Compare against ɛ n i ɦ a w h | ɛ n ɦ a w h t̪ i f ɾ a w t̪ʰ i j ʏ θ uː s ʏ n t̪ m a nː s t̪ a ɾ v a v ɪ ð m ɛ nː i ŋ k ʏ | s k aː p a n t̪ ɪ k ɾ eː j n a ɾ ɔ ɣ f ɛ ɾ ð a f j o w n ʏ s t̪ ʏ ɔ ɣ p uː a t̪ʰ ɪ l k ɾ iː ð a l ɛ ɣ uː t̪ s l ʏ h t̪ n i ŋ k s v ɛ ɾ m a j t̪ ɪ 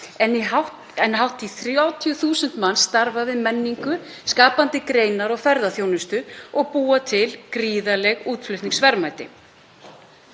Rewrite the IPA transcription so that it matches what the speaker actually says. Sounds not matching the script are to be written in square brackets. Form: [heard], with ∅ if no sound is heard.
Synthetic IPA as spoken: ɛ n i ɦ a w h | ɛ n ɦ a w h t̪ i [θ] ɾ a w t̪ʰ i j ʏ θ uː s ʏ n t̪ m a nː s t̪ a ɾ v a v ɪ ð m ɛ nː i ŋ k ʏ | s k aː p a n t̪ ɪ k ɾ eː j n a ɾ ɔ ɣ f ɛ ɾ ð a [θ] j o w n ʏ s t̪ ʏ ɔ ɣ p uː a t̪ʰ ɪ l k ɾ iː ð a l ɛ ɣ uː t̪ [f] l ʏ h t̪ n i ŋ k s v ɛ ɾ m a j t̪ ɪ